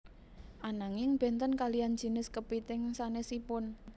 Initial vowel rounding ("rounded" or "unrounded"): unrounded